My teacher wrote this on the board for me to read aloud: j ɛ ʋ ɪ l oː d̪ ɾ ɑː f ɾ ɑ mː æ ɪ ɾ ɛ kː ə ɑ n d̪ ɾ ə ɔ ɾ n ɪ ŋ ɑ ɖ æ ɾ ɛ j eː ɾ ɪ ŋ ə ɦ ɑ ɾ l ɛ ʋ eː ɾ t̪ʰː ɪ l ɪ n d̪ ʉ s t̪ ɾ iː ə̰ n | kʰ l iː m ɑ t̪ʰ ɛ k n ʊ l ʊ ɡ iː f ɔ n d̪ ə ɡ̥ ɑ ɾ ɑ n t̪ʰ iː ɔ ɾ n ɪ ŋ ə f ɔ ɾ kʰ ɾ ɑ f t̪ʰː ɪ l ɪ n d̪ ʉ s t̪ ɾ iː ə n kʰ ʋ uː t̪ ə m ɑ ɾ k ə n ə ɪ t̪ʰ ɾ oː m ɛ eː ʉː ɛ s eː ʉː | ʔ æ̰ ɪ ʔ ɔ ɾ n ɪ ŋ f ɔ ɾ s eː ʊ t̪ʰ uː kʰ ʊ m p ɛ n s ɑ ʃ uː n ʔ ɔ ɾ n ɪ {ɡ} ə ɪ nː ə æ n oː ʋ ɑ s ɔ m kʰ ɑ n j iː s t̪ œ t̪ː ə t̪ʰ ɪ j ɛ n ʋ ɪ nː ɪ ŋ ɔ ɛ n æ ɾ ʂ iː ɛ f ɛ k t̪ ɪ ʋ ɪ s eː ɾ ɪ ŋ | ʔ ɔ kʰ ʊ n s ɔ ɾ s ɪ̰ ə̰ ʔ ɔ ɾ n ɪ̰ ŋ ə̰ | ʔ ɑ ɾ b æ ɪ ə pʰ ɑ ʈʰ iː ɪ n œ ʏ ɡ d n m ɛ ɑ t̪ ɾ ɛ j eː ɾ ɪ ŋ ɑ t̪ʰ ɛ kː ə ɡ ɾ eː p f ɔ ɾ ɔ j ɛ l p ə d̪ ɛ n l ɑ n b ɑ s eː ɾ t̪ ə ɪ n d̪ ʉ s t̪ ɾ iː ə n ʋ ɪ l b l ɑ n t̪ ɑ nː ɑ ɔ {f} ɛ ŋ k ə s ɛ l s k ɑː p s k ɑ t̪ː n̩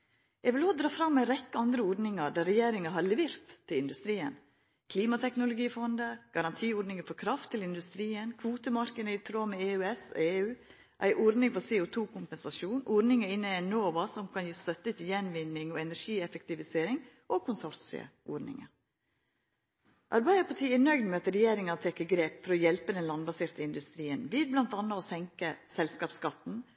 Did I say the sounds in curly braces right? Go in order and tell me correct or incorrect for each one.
incorrect: ŋ, incorrect: s

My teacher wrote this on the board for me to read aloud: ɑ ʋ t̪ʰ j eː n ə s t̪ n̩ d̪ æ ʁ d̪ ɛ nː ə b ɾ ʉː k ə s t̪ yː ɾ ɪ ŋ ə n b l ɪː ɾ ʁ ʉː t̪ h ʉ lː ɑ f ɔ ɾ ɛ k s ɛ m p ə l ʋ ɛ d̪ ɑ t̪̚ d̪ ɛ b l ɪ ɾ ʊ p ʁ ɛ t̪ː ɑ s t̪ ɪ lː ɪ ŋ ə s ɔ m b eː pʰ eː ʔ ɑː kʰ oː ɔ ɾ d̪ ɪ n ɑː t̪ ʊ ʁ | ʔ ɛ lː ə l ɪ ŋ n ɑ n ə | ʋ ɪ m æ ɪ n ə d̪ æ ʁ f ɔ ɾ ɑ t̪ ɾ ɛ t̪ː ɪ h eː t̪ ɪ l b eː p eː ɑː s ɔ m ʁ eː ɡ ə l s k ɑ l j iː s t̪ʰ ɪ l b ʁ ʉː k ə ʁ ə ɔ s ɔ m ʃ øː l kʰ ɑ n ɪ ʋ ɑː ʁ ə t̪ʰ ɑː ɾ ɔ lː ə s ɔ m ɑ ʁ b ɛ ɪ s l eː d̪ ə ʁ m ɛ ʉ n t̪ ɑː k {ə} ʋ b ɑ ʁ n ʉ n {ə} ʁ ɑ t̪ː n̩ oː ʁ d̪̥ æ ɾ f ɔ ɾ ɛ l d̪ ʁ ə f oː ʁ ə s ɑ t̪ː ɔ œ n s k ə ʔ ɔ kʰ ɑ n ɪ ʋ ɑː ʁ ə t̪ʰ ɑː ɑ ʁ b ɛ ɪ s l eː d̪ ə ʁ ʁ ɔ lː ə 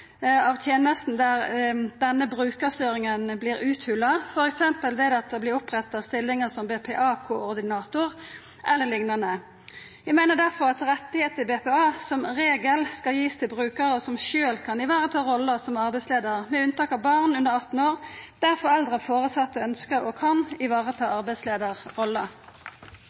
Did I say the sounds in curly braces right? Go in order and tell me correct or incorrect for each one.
incorrect: ɑ, correct

